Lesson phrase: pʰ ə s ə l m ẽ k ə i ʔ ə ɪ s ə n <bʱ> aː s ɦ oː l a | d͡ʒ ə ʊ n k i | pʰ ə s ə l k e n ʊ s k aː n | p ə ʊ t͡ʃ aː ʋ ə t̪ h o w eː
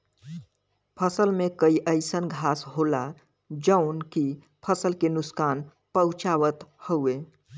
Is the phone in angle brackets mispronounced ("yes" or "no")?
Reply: yes